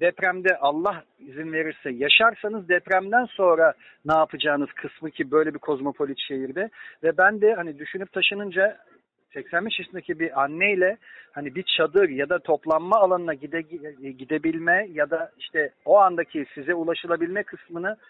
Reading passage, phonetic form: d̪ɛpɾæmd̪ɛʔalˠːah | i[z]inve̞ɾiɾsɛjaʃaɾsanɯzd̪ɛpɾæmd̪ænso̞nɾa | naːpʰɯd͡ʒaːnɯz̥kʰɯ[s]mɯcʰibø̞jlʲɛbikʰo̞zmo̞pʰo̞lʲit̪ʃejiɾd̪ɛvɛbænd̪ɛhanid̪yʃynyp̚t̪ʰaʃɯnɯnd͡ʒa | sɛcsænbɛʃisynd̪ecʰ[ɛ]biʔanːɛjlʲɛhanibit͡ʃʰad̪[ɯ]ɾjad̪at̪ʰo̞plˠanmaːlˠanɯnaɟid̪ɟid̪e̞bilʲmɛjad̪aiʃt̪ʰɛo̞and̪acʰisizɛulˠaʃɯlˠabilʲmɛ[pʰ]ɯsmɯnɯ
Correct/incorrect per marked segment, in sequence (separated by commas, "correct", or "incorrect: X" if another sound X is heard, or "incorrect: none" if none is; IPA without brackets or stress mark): correct, correct, incorrect: i, correct, incorrect: kʰ